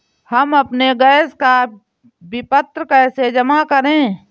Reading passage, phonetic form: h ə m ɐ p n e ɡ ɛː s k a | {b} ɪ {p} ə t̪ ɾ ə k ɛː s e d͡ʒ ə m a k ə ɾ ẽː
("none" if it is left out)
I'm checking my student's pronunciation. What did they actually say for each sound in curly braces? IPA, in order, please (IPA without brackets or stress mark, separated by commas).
b, p